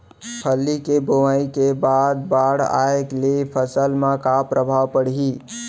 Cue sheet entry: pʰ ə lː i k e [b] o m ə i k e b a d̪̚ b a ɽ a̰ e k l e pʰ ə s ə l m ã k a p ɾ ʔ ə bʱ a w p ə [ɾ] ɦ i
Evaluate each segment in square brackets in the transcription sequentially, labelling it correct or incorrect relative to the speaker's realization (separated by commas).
correct, incorrect